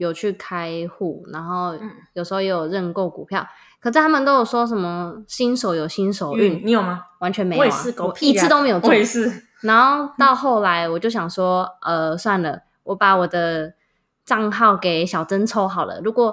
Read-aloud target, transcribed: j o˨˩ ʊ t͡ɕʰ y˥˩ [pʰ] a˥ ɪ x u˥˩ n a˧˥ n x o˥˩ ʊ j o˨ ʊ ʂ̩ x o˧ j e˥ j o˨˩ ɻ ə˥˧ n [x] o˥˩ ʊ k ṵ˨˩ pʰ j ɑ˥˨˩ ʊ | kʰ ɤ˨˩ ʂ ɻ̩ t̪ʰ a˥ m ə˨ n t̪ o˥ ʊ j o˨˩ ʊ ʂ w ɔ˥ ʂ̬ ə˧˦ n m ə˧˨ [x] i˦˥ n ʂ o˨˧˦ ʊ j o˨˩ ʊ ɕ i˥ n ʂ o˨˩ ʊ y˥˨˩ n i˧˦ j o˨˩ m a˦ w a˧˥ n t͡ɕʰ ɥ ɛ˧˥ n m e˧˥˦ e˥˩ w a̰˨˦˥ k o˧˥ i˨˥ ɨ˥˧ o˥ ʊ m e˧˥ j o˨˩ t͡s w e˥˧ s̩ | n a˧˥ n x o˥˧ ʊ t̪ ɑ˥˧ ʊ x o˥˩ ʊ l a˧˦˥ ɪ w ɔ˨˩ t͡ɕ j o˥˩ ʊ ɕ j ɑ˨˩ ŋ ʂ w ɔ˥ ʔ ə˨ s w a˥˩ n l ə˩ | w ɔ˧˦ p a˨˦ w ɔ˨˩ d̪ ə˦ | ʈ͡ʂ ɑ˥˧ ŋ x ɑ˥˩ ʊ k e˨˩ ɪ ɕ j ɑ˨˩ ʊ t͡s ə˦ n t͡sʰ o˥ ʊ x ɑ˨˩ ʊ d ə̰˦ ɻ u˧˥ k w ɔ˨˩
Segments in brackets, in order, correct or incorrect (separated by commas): incorrect, incorrect, incorrect